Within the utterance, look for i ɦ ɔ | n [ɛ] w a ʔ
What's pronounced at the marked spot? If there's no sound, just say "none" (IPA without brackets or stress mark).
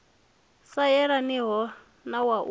a